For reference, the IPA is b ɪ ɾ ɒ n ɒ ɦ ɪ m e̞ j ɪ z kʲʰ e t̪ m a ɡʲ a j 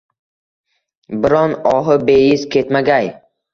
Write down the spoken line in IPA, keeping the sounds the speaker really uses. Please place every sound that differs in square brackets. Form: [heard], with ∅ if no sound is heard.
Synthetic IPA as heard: b ɪ ɾ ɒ n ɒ ɦ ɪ [b] e̞ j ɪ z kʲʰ e t̪ m a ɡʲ a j